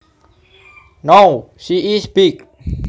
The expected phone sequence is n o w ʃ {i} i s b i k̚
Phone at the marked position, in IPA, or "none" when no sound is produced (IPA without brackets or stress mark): i